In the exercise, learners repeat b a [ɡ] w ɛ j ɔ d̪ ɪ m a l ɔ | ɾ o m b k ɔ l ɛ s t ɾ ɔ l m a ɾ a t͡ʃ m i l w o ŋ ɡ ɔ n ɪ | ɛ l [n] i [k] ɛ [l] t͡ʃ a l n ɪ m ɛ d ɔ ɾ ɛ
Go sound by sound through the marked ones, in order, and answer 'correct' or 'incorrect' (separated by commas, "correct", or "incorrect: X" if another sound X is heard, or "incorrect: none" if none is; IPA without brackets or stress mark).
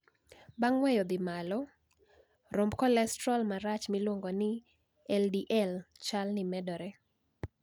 incorrect: ŋ, incorrect: d, incorrect: ʔ, correct